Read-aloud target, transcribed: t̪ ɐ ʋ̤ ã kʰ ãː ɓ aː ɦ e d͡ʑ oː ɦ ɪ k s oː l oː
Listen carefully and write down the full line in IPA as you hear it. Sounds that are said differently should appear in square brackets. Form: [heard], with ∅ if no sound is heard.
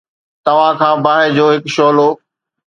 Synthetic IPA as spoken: t̪ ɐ ʋ̤ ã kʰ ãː [b] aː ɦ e d͡ʑ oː ɦ ɪ k [ʃ] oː l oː